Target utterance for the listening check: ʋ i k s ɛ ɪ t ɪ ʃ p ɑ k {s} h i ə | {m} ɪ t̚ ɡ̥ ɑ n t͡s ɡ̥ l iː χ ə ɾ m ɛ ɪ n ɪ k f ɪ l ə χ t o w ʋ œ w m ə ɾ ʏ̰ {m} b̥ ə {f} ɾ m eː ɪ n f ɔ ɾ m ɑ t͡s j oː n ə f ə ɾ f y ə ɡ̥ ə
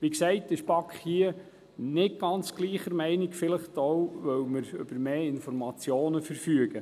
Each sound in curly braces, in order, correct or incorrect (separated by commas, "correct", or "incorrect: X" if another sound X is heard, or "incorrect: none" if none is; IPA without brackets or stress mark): incorrect: χ, incorrect: n, incorrect: none, incorrect: none